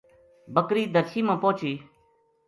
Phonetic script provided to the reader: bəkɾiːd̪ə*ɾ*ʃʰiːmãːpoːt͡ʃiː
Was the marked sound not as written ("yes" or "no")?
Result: no